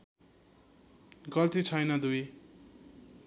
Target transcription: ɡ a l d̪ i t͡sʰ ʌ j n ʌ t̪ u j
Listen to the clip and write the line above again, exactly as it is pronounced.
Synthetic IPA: ɡ ʌ l t̪ i t͡sʰ ʌ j n ʌ d̪ u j